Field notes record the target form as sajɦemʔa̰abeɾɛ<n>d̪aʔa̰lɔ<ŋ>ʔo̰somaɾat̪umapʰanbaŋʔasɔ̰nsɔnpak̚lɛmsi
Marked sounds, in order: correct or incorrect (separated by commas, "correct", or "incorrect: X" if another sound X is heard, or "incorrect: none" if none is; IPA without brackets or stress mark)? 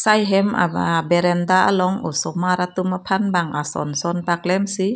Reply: correct, correct